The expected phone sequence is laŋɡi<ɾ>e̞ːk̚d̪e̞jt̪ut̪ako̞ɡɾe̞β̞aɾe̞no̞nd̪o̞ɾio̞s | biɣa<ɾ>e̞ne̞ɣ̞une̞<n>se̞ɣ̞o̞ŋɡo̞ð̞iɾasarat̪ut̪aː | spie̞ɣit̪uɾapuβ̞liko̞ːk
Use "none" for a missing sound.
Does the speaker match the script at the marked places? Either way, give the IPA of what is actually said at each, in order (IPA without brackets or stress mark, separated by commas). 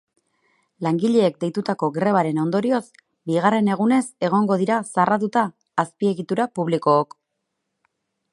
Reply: ʎ, r, none